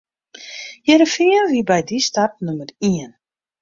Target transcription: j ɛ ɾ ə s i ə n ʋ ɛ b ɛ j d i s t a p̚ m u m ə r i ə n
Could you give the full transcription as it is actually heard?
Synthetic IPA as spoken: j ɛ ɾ ə f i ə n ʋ i b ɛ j d i s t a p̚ n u m ə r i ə n